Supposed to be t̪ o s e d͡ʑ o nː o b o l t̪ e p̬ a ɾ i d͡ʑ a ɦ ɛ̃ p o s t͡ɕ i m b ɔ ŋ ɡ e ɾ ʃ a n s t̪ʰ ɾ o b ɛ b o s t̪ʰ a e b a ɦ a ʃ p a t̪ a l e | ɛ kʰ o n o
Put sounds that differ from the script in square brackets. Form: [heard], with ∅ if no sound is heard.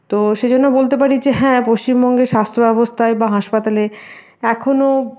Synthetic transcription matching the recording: t̪ o [ʃ] e d͡ʑ o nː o b o l t̪ e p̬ a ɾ i d͡ʑ [e] ɦ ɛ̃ p o s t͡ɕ i m b ɔ ŋ ɡ e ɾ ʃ a [∅] s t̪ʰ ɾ o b ɛ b o s t̪ʰ a e b a ɦ a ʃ p a t̪ a l e | ɛ kʰ o n o